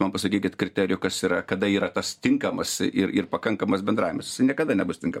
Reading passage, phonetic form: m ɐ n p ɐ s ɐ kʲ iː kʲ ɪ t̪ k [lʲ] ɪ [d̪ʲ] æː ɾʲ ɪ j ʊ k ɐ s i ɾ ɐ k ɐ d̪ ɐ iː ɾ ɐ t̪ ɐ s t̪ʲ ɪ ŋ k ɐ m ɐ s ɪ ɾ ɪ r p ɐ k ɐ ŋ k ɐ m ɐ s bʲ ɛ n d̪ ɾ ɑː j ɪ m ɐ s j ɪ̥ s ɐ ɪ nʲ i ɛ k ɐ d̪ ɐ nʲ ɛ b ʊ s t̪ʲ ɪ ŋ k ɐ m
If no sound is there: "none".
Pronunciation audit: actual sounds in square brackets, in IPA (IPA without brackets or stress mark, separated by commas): ɾʲ, t̪ʲ